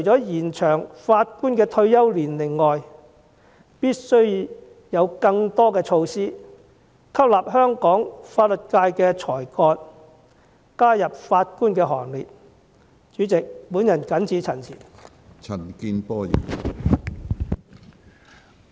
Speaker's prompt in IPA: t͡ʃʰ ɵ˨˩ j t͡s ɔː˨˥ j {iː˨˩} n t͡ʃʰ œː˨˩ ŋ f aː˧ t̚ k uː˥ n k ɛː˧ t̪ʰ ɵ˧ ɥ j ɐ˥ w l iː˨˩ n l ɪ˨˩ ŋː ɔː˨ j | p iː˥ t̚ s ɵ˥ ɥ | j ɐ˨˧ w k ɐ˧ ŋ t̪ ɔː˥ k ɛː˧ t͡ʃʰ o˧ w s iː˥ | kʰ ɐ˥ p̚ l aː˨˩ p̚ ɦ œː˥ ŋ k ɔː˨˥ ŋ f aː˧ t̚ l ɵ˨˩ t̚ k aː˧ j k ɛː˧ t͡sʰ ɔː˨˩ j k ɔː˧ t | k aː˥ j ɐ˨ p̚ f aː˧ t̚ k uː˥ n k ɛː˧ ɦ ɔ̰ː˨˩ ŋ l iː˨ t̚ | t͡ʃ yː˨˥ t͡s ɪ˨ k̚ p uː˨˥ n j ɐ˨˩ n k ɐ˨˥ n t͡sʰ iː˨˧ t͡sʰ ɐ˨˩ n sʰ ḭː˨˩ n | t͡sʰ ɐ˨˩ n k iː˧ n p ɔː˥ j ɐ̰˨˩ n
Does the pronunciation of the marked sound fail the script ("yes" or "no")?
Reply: no